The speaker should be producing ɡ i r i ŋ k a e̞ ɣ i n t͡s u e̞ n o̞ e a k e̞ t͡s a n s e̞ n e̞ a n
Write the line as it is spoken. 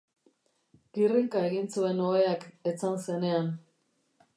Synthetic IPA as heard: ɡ i r i ŋ k a e̞ ɣ i n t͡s u e̞ n o̞ e a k e̞ t͡s a n s e̞ n e̞ a n